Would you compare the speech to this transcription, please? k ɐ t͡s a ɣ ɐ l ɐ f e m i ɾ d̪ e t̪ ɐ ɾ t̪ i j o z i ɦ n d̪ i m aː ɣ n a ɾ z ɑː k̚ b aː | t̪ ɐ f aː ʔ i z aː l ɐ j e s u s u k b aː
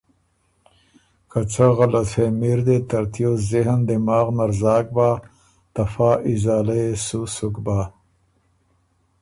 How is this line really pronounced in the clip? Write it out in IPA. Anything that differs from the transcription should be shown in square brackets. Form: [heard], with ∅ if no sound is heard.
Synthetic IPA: k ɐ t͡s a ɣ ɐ l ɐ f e m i ɾ d̪ e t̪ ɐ ɾ t̪ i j o z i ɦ n d̪ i m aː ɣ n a ɾ z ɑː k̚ b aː | t̪ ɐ f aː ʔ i z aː l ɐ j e s u s u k b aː

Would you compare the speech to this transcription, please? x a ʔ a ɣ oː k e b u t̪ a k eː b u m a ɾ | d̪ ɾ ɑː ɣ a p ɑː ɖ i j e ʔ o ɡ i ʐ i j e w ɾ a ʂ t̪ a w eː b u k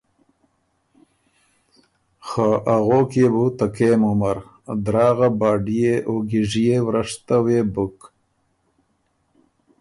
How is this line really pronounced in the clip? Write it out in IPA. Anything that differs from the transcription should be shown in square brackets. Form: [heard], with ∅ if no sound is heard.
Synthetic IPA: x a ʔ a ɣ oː k e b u t̪ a k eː [m] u m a ɾ | d̪ ɾ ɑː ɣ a [b] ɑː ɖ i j e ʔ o ɡ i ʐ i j e w ɾ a ʂ t̪ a w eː b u k

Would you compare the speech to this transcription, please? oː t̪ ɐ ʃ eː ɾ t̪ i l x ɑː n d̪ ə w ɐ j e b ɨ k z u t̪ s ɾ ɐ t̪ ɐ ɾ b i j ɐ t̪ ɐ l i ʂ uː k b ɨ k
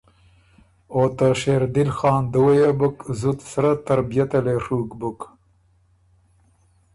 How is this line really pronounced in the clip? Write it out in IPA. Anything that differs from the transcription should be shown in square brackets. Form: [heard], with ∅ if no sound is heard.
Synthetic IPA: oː t̪ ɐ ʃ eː ɾ [d̪] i l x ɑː n d̪ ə w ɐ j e b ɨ k z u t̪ s ɾ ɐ t̪ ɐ ɾ b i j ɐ t̪ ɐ l [e] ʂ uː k b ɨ k

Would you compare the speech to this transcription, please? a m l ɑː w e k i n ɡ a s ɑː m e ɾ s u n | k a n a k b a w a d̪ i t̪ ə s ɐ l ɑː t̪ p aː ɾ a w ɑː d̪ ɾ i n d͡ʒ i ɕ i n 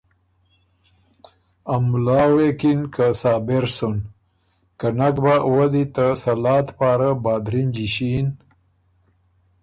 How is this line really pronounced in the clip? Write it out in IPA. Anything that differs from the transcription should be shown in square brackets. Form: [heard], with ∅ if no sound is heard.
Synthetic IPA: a m l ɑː w e k i n [k] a s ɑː [b] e ɾ s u n | k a n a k b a w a d̪ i t̪ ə s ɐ l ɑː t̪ p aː ɾ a [b] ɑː d̪ ɾ i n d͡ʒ i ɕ i n

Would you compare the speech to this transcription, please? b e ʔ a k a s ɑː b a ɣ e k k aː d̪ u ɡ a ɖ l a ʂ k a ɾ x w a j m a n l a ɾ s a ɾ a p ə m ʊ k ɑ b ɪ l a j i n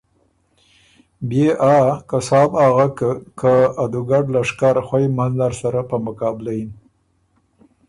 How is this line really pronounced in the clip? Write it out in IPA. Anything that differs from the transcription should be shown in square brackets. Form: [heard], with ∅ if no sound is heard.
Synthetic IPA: b e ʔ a k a s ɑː b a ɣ [a] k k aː d̪ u ɡ a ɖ l a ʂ k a ɾ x w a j m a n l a ɾ s a ɾ a p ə m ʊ k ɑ b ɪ l a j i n

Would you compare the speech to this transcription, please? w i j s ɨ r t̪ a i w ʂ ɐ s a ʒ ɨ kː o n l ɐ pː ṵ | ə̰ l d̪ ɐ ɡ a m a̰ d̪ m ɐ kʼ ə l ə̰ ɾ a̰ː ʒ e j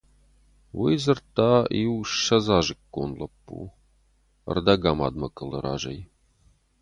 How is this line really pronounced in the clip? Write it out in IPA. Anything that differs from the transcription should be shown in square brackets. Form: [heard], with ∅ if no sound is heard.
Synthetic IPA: w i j [z] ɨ r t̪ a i w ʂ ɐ [z] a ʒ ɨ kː o n l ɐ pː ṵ | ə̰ [r] d̪ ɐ ɡ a m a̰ d̪ m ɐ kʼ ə l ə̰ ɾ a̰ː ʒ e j

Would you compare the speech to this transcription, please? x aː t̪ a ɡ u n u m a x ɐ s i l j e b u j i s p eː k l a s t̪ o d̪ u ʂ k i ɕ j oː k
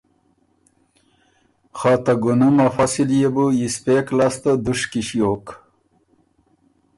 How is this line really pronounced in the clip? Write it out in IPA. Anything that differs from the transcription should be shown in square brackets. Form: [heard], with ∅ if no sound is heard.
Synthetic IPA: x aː t̪ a ɡ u n u m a [f] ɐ s i l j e b u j i s p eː k l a s t̪ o d̪ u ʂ k i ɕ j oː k

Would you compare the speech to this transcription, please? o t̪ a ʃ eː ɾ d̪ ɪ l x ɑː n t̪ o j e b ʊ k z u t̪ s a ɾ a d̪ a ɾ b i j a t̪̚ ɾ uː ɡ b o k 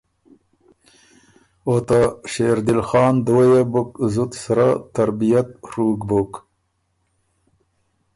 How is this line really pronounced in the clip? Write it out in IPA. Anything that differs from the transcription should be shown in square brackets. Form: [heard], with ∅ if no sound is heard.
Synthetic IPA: o t̪ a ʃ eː ɾ d̪ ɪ l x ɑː n [d̪] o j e b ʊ k z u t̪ s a ɾ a [t̪] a ɾ b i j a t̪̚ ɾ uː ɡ b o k

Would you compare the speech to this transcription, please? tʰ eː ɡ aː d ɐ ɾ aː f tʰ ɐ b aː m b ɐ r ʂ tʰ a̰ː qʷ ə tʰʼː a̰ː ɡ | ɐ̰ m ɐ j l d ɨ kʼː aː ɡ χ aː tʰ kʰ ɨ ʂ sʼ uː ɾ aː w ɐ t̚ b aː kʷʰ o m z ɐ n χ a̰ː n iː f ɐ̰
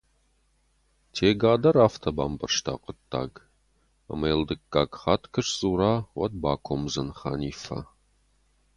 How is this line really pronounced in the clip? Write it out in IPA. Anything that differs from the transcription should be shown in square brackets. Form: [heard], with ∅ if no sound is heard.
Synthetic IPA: tʰ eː ɡ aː d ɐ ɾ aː f tʰ ɐ b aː m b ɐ r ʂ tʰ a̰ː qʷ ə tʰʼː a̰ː ɡ | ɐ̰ m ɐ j l d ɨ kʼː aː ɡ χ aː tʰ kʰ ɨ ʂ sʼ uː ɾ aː w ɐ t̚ b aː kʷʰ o m z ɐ n χ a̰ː n iː f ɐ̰

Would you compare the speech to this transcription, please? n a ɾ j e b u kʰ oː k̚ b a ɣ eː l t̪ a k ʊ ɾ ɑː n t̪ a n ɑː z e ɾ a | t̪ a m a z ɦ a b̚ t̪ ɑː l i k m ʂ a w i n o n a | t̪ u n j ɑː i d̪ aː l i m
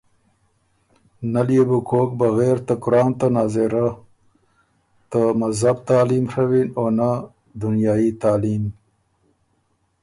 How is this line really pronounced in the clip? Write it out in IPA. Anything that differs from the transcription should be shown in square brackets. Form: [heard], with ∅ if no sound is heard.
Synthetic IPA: n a [l] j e b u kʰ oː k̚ b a ɣ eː [ɾ] t̪ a k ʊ ɾ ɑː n t̪ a n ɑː z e ɾ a | t̪ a m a z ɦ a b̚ t̪ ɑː l i [∅] m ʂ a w i n o n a | [d̪] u n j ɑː i [t̪] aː l i m

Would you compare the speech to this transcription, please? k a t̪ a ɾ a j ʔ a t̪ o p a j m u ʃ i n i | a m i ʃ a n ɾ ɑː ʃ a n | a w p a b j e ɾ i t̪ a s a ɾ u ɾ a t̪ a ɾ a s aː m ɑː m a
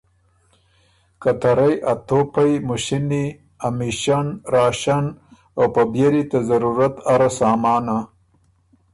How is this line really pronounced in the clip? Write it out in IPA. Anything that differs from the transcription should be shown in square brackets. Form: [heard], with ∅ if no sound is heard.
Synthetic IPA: k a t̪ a ɾ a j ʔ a t̪ o p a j m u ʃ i n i | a m i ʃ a n ɾ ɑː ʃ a n | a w p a b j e ɾ i t̪ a [z] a ɾ u ɾ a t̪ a ɾ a s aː m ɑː [n] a

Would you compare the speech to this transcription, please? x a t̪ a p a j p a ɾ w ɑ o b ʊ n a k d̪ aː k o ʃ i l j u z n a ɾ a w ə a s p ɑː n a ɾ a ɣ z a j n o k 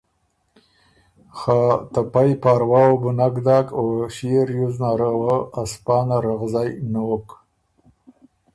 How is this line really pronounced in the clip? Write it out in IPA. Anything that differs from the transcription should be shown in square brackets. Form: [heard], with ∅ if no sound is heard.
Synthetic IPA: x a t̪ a p a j p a ɾ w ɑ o b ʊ n a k d̪ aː k o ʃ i [ɾ] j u z n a ɾ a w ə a s p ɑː n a ɾ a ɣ z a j n o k

